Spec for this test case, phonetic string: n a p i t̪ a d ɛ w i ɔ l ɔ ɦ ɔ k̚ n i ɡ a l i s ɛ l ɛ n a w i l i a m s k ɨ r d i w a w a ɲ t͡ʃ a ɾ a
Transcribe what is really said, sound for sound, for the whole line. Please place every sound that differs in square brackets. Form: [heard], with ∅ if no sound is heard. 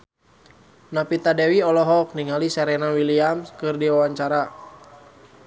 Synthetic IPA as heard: n a p i t̪ a d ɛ w i ɔ l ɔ ɦ ɔ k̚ n i [ŋ] a l i s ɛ [ɾ] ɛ n a w i l i a m s k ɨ r d i w a w a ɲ t͡ʃ a ɾ a